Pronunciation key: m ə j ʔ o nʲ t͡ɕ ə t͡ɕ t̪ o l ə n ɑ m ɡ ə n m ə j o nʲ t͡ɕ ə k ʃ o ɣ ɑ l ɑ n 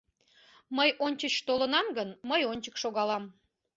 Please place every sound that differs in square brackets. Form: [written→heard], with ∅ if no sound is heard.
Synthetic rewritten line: m ə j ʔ o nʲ t͡ɕ ə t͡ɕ t̪ o l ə n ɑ m ɡ ə n m ə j o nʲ t͡ɕ ə k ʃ o ɣ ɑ l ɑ [n→m]